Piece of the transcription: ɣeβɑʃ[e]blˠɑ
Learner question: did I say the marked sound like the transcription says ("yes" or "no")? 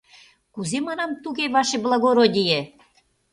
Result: yes